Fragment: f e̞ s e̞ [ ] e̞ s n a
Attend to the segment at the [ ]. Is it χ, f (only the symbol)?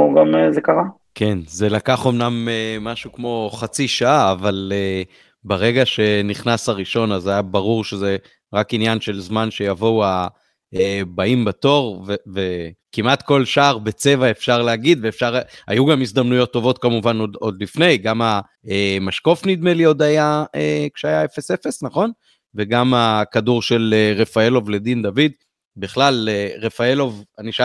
f